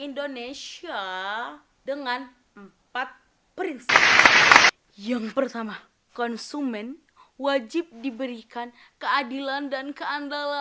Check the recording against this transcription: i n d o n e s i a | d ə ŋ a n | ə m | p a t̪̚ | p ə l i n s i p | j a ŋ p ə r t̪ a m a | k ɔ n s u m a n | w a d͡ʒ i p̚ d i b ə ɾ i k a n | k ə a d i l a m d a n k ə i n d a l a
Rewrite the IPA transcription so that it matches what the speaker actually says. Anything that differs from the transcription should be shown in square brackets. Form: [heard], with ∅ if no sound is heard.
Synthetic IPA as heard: i n d o n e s i a | d ə ŋ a n | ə m | p a t̪̚ | p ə [ɾ] i n s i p | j a ŋ p ə r t̪ a m a | k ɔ n s u m [ɛ] n | w a d͡ʒ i p̚ d i b ə ɾ i k a n | k ə a d i l a [n] d a n k ə [a] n d a l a

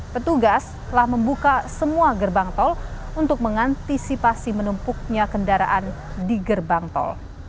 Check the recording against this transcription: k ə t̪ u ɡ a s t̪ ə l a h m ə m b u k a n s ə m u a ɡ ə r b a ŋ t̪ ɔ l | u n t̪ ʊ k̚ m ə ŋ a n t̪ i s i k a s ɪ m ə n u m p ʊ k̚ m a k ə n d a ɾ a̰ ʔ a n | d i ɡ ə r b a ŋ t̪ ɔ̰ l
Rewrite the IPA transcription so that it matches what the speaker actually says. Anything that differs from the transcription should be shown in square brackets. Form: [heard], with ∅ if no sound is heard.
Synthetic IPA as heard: [p] ə t̪ u ɡ a s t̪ ə l a h m ə m b u k a [∅] s ə m u a ɡ ə r b a ŋ t̪ ɔ l | u n t̪ ʊ k̚ m ə ŋ a n t̪ i s i [p] a s [i] m ə n u m p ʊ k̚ [ɲ] a k ə n d a ɾ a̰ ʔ a n | d i ɡ ə r b a ŋ t̪ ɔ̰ l

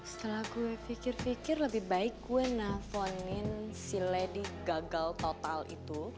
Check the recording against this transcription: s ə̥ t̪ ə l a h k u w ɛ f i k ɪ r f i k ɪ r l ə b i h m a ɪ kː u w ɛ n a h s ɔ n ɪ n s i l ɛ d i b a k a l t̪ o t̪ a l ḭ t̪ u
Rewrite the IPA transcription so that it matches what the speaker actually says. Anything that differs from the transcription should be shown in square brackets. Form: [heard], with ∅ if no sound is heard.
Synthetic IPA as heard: s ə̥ t̪ ə l a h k u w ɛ f i k ɪ r f i k ɪ r l ə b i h [b] a ɪ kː u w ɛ n a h [f] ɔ n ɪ n s i l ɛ d i [ɡ] a [ɡ] a l t̪ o t̪ a l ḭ t̪ u

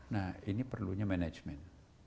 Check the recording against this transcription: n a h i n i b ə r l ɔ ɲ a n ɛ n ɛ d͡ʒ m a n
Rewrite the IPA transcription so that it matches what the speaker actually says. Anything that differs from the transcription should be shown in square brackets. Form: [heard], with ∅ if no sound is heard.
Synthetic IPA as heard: n a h i n i [p] ə r l [u] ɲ a [m] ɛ n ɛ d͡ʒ m [ɛ] n

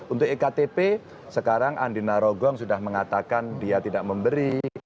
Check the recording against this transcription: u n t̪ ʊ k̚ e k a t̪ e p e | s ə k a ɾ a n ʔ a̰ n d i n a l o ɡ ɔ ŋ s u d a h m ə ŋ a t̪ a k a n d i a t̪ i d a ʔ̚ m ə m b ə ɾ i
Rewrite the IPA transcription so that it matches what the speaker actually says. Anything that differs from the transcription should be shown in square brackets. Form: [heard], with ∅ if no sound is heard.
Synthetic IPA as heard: u n t̪ ʊ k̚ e k a t̪ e p e | s ə k a ɾ a [ŋ] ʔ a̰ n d i n a [ɾ] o ɡ ɔ ŋ s u d a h m ə ŋ a t̪ a k a n d i a t̪ i d a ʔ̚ m ə m b ə ɾ i

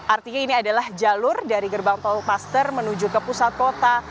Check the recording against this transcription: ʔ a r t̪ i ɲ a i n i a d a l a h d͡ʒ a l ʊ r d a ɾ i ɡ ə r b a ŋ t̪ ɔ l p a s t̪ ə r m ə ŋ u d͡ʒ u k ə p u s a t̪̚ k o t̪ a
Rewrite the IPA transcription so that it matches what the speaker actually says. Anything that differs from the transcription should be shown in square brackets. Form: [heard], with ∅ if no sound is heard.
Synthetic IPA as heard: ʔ a r t̪ i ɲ a i n i a d a l a h d͡ʒ a l ʊ r d a ɾ i ɡ ə r b a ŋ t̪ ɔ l p a s t̪ ə r m ə [n] u d͡ʒ u k ə p u s a t̪̚ k o t̪ a

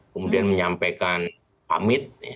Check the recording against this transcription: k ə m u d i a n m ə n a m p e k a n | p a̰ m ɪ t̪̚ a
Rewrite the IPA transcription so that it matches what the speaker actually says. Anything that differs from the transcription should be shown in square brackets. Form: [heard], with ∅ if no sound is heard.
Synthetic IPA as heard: k ə m u d i a n m ə [ɲ] a m p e k a n | p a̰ m ɪ t̪̚ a

